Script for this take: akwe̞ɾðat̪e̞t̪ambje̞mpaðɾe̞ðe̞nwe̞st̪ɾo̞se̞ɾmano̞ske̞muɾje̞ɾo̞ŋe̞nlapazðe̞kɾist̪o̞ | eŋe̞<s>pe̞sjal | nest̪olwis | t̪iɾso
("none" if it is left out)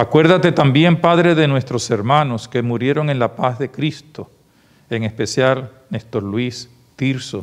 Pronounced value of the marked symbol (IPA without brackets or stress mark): s